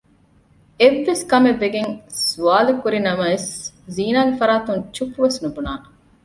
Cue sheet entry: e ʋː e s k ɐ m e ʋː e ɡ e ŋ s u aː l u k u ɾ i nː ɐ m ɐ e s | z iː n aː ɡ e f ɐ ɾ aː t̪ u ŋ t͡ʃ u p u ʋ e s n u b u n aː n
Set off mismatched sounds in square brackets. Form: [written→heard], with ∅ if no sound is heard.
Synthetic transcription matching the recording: e ʋː e s k ɐ m e ʋː e ɡ e ŋ s u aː l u k u ɾ i [nː→n] ɐ m ɐ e s | z iː n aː ɡ e f ɐ ɾ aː t̪ u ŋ t͡ʃ u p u ʋ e s n u b u n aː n